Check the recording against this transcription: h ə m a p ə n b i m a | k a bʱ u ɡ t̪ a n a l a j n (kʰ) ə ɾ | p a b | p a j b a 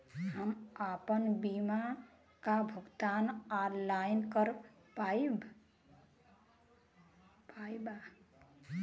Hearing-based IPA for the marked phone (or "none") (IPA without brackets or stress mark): k